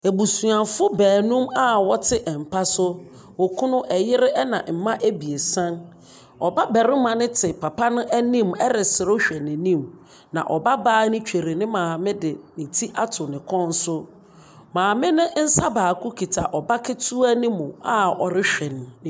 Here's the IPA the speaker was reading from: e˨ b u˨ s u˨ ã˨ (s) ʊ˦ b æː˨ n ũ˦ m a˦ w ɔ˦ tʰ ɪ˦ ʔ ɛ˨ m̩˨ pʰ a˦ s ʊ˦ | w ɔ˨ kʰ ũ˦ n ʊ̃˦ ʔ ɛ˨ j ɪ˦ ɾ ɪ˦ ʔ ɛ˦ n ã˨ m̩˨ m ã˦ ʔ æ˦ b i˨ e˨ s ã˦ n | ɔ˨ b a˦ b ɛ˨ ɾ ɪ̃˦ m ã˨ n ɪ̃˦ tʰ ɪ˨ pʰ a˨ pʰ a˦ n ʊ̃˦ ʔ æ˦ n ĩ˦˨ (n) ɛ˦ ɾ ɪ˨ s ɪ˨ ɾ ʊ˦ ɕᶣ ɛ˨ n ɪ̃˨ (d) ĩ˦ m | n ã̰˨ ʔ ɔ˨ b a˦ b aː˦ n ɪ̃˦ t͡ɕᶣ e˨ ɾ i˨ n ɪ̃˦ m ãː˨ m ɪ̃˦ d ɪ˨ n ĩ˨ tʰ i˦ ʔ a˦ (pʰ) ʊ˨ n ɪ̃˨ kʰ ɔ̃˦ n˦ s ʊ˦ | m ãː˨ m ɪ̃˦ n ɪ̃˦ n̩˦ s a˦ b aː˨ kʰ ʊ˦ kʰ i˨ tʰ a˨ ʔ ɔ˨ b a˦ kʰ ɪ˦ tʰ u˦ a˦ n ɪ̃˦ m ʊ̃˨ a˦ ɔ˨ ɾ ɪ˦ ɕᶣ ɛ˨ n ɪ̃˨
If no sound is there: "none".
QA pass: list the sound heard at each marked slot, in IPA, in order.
f, m, n, tʰ

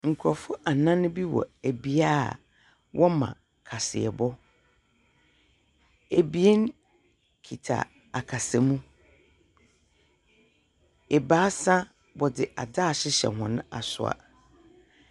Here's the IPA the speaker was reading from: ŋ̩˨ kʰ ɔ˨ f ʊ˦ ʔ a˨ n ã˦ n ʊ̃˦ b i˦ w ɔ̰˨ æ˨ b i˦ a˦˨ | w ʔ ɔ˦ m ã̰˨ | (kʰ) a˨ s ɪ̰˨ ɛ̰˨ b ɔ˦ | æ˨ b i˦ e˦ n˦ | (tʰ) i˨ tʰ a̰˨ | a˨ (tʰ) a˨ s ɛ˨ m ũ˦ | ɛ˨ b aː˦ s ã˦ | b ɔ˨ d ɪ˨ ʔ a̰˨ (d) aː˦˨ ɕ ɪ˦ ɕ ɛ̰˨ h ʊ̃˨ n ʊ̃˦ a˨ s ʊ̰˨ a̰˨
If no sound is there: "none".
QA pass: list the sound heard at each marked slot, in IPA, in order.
kʰ, kʰ, kʰ, d

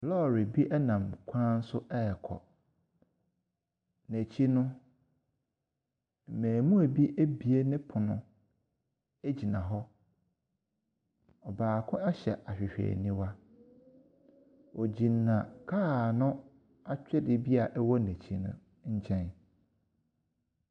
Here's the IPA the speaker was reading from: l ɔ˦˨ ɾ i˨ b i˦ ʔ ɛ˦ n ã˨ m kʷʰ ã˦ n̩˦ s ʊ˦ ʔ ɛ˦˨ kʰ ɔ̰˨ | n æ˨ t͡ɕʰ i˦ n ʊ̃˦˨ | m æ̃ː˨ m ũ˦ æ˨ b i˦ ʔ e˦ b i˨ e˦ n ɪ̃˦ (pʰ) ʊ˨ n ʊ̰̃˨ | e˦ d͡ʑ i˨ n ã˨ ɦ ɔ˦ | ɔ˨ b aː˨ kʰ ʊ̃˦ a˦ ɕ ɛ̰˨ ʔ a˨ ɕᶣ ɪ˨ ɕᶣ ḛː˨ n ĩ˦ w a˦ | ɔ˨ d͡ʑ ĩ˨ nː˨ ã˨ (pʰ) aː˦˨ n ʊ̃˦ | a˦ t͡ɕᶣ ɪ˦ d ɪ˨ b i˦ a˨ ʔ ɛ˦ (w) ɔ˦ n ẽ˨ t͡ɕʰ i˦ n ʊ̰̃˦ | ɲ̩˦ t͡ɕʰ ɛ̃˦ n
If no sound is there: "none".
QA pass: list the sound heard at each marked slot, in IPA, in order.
pʰ, kʰ, w

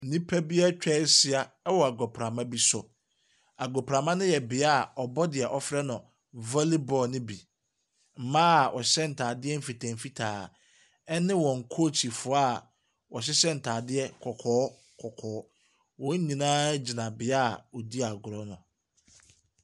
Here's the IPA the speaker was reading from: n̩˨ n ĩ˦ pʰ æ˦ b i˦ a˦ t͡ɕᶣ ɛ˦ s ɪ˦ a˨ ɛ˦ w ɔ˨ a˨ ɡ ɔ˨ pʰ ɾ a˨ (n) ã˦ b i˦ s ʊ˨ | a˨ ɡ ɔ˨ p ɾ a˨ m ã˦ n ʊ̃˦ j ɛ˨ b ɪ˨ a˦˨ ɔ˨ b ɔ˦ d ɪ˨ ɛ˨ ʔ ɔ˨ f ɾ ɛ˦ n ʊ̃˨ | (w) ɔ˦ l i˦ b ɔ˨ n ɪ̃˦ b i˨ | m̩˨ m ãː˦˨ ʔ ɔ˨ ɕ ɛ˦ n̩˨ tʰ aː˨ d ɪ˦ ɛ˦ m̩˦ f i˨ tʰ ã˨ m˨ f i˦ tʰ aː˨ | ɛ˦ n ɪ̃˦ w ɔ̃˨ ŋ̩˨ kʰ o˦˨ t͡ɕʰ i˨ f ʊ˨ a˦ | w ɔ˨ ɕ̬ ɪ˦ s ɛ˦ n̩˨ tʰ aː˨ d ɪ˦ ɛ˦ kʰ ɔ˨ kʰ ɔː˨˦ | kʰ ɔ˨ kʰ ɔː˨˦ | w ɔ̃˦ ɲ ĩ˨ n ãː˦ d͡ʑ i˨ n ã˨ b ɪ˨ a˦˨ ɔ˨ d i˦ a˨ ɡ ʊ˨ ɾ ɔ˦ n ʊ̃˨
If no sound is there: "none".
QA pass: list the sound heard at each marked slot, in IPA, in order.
m, v

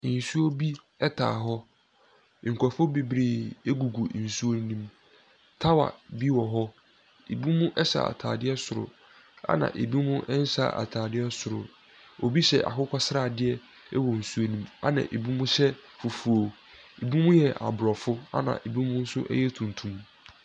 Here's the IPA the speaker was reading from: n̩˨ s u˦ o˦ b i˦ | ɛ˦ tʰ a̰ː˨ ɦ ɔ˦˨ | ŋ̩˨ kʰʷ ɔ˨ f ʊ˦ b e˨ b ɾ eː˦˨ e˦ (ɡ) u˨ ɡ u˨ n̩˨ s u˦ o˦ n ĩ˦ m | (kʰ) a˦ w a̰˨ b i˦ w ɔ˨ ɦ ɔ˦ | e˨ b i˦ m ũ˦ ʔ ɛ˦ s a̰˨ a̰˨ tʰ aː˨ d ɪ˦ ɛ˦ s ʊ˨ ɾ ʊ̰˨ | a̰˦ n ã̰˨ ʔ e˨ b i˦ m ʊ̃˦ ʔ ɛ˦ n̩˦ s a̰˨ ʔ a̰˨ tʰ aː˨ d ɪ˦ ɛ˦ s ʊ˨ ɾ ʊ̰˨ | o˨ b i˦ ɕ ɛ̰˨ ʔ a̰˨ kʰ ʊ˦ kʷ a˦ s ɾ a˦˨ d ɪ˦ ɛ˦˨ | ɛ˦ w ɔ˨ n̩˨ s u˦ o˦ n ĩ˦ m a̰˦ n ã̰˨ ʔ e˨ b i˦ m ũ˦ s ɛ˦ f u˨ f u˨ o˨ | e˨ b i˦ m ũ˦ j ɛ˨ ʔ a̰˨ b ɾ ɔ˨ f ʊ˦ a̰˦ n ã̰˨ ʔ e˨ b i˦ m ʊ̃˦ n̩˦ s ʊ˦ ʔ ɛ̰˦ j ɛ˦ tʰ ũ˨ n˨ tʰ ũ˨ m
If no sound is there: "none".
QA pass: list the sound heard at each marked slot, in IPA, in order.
ɡ, tʰ

